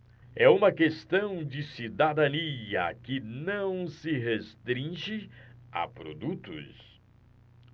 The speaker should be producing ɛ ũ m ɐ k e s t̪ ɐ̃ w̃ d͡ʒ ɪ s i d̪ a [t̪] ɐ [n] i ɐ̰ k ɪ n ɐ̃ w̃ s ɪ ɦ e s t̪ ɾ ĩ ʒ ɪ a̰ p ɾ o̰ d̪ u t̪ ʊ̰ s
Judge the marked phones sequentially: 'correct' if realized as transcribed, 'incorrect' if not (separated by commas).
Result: incorrect, correct